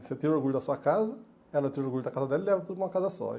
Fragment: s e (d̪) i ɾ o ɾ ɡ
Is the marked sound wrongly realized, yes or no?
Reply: yes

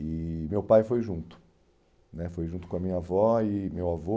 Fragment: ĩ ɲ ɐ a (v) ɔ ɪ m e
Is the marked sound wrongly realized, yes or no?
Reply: no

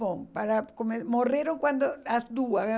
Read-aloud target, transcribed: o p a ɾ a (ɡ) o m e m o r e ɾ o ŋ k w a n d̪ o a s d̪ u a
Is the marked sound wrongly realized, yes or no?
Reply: yes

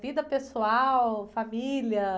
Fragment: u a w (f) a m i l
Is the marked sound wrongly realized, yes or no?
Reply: no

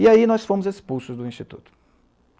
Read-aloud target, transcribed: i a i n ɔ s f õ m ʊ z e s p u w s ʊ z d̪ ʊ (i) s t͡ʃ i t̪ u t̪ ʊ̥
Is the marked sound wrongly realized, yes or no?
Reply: yes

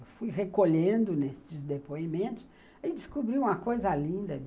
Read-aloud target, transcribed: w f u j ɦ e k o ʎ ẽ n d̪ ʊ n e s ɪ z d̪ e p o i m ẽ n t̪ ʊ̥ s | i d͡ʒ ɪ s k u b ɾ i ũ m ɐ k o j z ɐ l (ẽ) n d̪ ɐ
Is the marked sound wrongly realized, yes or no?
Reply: yes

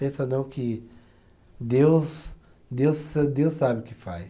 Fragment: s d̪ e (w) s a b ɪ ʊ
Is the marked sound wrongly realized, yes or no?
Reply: no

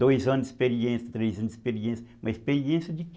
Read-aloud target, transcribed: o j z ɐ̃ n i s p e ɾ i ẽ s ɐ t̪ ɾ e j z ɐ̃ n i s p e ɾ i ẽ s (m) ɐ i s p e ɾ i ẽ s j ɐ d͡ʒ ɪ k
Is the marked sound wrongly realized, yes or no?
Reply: no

